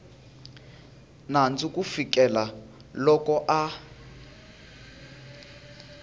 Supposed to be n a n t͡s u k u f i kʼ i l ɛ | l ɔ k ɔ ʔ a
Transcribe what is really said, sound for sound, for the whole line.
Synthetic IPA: n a n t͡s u k u f i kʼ ɛ l a | l ɔ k ɔ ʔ a